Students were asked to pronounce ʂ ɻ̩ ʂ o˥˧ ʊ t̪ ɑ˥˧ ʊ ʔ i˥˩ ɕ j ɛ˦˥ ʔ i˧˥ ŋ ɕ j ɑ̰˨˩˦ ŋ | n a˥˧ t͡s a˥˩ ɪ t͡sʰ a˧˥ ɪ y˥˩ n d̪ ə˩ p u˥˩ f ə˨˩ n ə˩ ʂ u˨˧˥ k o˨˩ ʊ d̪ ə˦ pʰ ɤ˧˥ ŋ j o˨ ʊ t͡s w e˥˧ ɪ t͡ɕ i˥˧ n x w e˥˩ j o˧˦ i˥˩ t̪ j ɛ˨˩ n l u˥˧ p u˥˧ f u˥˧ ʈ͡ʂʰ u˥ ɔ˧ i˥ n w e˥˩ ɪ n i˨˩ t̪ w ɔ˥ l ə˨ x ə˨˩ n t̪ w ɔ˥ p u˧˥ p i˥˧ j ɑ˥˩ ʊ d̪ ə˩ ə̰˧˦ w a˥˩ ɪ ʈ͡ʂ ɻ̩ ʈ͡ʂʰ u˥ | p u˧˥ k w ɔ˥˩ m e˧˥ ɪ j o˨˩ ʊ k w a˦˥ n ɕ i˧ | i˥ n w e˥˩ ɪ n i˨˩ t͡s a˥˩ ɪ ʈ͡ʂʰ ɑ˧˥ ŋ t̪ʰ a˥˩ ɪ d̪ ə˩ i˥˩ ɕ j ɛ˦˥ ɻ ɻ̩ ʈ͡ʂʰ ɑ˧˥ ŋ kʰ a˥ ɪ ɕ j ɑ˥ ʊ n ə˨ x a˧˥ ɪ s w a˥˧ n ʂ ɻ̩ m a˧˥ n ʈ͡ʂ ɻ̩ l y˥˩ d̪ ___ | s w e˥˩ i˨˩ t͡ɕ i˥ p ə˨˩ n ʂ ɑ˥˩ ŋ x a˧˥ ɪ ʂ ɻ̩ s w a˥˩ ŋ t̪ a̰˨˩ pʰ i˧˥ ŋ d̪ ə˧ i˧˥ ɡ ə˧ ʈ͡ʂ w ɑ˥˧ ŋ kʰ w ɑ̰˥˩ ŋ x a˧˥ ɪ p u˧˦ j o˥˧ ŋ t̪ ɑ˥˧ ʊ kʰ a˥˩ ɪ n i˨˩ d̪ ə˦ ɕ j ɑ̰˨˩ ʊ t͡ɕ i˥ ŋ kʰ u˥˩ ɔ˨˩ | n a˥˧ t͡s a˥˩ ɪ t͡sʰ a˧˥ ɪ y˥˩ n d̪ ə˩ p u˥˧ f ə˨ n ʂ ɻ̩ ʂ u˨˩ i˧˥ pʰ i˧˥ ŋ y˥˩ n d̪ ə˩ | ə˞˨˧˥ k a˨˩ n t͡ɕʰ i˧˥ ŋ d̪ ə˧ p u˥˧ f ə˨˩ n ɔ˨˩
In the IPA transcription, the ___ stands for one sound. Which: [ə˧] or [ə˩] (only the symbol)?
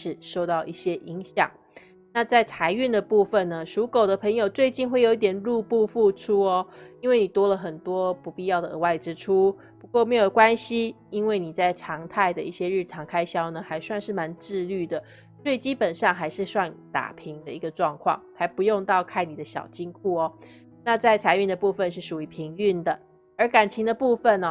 ə˩